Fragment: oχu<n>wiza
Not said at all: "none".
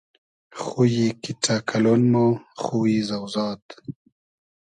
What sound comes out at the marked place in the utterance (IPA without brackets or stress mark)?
none